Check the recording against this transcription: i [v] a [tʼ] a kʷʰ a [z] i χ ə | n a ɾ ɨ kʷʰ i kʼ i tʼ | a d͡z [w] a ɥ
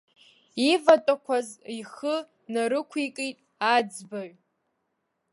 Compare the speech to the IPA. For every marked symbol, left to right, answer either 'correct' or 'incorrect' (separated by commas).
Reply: correct, correct, correct, incorrect